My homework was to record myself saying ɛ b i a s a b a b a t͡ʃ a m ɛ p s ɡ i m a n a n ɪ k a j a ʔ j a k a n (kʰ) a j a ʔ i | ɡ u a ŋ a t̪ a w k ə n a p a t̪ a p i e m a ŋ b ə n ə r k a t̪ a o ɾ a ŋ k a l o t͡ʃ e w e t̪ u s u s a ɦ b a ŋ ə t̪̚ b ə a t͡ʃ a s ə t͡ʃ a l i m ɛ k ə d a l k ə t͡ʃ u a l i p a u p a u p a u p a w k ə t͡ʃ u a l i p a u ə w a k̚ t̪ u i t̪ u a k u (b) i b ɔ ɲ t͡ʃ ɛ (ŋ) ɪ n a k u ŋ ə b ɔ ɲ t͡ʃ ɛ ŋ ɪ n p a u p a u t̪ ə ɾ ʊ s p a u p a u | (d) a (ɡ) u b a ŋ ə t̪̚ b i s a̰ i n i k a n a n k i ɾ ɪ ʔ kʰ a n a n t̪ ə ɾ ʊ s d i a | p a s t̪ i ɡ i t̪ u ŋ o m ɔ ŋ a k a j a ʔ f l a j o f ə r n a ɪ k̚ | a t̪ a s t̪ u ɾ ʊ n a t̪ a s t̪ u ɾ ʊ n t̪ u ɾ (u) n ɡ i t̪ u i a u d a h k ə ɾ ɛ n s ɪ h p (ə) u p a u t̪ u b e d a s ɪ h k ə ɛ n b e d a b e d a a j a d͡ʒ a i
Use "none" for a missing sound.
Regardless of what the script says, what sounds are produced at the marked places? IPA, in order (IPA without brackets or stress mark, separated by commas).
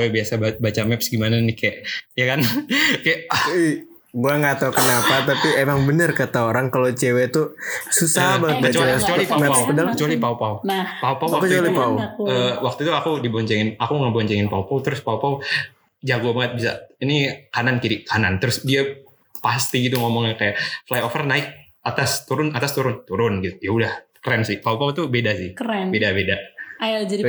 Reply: k, d, ŋ, d͡ʒ, ɡ, ʊ, a